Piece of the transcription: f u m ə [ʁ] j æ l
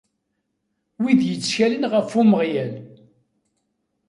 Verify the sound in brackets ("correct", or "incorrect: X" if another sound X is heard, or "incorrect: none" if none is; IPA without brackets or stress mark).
correct